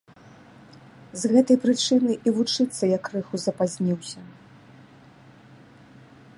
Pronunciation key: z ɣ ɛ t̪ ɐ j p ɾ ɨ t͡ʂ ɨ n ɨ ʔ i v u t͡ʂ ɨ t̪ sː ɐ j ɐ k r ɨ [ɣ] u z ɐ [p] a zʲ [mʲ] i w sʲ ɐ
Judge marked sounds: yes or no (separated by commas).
no, yes, no